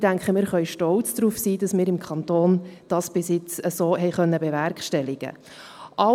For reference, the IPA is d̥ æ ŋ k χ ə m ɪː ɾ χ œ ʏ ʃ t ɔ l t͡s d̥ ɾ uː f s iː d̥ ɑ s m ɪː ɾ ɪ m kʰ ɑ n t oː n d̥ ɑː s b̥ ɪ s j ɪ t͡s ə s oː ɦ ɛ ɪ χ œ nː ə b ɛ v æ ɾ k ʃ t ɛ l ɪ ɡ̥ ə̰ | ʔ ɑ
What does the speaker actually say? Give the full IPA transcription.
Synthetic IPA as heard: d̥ æ ŋ k χ ə m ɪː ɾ χ œ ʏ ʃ t ɔ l t͡s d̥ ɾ uː f s iː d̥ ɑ s m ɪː ɾ ɪ m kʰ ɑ n t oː n d̥ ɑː s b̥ ɪ s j ɪ t͡s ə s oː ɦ ɛ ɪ χ œ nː ə b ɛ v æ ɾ k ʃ t ɛ l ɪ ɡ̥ ə̰ | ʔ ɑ